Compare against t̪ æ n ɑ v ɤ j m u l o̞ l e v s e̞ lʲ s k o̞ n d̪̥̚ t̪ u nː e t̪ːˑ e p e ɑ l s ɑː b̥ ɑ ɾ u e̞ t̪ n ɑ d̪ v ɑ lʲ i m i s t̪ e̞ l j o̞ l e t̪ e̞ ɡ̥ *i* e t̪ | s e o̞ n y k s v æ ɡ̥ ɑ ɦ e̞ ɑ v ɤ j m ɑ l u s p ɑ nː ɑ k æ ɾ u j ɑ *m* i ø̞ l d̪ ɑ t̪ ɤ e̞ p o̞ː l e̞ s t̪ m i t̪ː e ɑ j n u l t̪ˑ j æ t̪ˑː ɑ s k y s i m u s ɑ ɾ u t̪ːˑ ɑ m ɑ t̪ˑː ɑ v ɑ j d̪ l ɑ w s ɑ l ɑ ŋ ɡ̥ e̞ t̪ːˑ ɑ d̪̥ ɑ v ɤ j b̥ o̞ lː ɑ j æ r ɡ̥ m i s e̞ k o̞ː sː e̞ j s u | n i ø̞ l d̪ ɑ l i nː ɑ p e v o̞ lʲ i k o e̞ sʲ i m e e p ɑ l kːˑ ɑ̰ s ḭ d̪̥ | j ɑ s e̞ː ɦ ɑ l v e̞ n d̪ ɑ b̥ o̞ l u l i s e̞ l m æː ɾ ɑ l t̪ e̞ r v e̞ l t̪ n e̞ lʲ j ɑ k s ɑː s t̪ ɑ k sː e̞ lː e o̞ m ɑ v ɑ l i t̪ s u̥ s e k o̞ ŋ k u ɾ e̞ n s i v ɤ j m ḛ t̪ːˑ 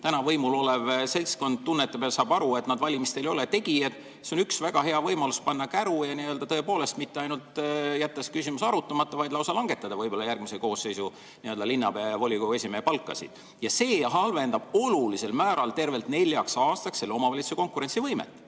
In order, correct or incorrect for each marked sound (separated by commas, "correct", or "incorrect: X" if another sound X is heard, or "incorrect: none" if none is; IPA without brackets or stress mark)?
correct, incorrect: n